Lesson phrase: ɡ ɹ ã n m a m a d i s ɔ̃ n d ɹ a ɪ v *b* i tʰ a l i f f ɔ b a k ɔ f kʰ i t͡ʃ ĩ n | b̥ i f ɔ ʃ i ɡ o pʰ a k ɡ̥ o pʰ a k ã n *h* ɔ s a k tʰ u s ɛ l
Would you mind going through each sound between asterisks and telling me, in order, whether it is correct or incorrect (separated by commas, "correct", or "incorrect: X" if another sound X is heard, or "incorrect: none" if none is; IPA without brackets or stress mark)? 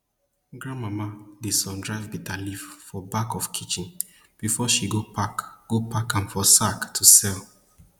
correct, incorrect: f